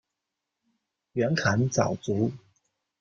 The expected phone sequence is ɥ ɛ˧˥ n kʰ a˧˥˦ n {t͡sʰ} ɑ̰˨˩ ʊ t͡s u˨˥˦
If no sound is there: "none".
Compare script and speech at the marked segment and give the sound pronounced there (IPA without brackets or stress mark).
t͡s